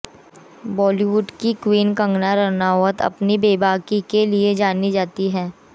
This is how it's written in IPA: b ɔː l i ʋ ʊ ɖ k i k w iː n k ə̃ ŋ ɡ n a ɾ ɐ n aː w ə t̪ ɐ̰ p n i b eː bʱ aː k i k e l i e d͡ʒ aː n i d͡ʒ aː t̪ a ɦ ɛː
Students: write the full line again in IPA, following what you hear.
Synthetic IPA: b ɔː l i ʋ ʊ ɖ k i k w iː n k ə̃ ŋ ɡ n a ɾ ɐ n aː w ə t̪ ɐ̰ p n i b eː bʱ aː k i k e l i e d͡ʒ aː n i d͡ʒ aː t̪ i ɦ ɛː